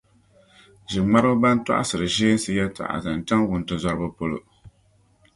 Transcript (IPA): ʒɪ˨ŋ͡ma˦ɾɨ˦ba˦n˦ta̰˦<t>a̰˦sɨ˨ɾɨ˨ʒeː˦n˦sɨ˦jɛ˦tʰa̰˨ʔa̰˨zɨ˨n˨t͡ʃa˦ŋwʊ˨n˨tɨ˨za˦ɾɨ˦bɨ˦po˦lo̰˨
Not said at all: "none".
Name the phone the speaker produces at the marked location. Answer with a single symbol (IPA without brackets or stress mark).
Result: ʔ